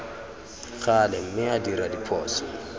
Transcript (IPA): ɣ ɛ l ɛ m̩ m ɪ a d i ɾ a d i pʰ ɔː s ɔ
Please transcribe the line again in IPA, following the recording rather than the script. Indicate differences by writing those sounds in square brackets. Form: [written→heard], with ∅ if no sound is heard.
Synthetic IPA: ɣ [ɛ→a] l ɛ m̩ m ɪ a d i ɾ a d i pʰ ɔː s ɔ